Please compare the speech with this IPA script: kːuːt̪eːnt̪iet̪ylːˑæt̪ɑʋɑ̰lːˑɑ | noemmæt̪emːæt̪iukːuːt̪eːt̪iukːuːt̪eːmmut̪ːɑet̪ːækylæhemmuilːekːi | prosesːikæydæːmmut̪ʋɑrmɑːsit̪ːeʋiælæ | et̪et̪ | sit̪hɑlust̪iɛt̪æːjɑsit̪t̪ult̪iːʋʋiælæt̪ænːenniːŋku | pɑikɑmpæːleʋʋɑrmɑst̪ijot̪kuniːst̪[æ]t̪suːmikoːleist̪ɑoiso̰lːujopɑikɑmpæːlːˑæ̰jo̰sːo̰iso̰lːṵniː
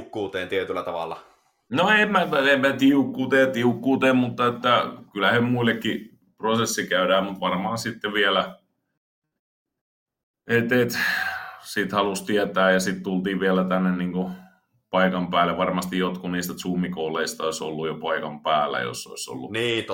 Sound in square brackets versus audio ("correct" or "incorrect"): correct